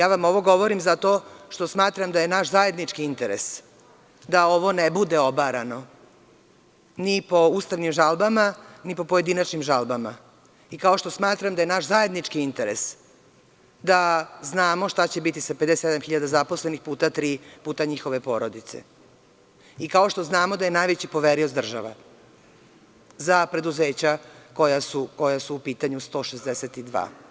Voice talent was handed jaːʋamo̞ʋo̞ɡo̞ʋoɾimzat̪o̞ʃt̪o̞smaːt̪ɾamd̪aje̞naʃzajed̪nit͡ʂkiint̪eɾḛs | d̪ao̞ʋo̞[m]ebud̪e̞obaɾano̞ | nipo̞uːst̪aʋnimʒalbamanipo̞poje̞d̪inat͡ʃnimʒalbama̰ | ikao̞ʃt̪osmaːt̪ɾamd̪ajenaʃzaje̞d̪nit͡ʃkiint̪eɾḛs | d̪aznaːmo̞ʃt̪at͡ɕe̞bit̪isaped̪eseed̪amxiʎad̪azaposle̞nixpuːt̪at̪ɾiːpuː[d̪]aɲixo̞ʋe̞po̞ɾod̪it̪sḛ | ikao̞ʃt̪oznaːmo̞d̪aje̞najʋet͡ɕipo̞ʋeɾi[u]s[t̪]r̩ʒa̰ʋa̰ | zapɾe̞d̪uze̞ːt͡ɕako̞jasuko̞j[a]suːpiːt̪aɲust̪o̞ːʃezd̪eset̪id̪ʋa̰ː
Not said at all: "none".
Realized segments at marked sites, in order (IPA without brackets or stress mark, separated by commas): n, t̪, o, d̪, a